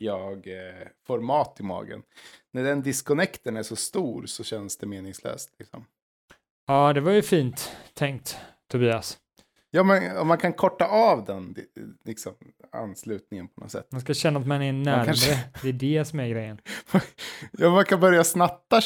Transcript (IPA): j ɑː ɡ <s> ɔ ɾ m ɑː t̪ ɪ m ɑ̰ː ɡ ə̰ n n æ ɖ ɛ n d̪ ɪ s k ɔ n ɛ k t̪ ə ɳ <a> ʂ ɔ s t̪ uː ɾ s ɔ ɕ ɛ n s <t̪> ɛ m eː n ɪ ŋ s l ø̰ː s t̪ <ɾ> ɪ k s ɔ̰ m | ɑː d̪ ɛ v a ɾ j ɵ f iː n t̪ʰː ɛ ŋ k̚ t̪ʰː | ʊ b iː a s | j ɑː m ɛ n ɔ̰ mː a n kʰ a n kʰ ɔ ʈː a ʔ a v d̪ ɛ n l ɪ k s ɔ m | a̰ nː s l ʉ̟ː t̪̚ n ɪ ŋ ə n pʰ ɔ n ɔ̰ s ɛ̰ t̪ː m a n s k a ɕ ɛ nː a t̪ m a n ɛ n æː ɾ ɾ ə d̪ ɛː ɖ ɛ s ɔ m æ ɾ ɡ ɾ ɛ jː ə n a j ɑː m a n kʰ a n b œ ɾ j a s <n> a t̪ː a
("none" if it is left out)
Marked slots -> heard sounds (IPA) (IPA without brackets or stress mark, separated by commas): f, æ, d̪, l, n